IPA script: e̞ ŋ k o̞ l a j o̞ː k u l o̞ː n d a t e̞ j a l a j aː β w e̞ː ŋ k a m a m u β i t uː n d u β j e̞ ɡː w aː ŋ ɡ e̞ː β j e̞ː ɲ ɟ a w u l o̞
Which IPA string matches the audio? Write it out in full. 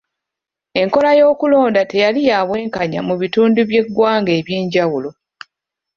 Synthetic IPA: e̞ ŋ k o̞ l a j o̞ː k u l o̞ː n d a t e̞ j a l i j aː β w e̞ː ŋ k a ɲ a m u β i t uː n d u β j e̞ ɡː w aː ŋ ɡ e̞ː β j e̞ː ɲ ɟ a w u l o̞